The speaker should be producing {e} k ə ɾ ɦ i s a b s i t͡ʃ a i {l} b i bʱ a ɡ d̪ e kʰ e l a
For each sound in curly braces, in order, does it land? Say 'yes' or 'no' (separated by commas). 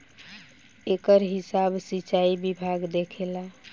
yes, no